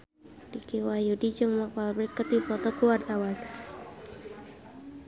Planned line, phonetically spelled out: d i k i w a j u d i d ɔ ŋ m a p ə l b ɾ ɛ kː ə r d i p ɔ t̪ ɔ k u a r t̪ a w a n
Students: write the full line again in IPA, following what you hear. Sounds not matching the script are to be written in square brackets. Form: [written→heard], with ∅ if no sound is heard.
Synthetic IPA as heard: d i k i w a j u d i [d→d͡ʒ] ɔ ŋ m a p [ə→a] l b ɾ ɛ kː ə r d i p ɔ t̪ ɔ k u a r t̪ a w a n